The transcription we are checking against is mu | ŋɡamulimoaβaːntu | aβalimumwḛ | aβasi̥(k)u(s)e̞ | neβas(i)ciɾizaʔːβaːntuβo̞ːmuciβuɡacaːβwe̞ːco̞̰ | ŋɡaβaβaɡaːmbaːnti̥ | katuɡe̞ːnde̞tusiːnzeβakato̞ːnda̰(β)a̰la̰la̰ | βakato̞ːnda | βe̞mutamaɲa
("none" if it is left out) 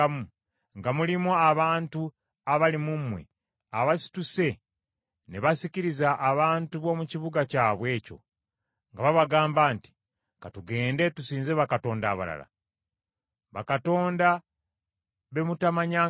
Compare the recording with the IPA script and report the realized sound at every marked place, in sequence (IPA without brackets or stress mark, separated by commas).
t, s, i, β